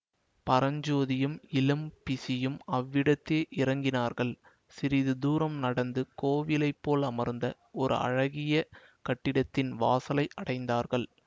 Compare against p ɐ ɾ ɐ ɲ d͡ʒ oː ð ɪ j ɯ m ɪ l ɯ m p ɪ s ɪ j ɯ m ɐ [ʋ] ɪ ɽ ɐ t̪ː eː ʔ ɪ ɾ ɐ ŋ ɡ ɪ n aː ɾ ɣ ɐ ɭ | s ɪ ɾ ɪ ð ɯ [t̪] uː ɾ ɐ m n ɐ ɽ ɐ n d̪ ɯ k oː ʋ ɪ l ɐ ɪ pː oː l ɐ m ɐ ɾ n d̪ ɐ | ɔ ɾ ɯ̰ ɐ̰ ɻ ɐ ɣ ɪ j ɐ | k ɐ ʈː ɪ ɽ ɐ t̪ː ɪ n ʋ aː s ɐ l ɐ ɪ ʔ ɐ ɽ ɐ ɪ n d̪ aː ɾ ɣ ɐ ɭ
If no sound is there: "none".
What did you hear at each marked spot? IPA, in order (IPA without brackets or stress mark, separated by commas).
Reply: ʋː, d̪